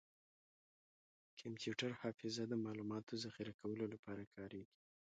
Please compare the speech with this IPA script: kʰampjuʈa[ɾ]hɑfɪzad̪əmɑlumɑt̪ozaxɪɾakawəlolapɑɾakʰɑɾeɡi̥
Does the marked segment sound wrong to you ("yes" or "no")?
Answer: no